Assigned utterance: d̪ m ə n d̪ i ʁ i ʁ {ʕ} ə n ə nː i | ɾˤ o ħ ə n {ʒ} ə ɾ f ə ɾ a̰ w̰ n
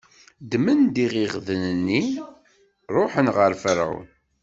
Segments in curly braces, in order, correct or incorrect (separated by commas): incorrect, incorrect